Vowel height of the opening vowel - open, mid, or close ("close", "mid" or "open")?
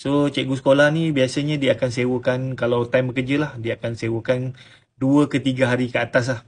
mid